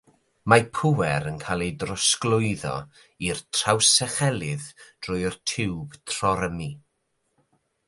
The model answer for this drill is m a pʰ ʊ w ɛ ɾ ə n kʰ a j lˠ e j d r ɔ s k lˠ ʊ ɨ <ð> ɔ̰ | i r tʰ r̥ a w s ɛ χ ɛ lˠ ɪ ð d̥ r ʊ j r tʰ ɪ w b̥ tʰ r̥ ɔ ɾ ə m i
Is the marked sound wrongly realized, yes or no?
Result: no